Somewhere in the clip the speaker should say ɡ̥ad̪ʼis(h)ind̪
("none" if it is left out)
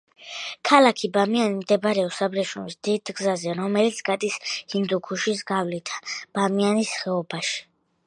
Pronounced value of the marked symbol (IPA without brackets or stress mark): h